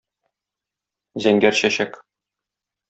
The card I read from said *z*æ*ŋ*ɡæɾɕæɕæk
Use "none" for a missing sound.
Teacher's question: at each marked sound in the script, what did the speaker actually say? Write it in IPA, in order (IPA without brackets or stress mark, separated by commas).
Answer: z, ŋ